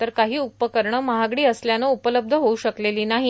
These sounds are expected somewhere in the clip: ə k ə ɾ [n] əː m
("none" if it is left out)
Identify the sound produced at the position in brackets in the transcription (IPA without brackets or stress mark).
ɳ